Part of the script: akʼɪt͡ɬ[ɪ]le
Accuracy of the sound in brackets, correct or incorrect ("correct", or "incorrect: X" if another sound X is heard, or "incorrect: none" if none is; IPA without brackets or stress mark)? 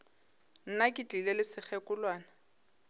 incorrect: i